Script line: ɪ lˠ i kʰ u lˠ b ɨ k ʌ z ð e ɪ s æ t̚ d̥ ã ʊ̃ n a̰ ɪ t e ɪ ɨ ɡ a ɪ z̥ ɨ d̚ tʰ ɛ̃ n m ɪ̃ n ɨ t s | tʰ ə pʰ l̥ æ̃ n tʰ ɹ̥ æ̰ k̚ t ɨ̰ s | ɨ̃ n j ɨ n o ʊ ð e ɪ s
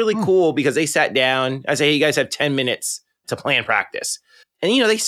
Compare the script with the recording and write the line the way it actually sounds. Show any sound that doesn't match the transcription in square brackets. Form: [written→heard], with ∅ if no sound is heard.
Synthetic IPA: ɪ lˠ i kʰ u lˠ b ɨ k ʌ z ð e ɪ s æ t̚ d̥ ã ʊ̃ n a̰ ɪ [t→s] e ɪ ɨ ɡ a ɪ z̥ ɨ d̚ tʰ ɛ̃ n m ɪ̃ n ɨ t s | tʰ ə pʰ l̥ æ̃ n [tʰ→pʰ] ɹ̥ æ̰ k̚ t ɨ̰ s | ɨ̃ n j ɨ n o ʊ ð e ɪ s